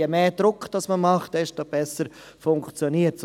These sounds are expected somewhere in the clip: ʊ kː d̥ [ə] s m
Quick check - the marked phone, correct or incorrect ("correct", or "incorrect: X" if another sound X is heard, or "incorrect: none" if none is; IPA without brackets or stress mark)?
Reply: incorrect: ɑ